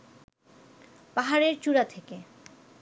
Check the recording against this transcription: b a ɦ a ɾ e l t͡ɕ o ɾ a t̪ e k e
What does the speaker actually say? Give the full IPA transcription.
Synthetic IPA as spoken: p a ɦ a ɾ e ɾ t͡ɕ u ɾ a t̪ʰ e k e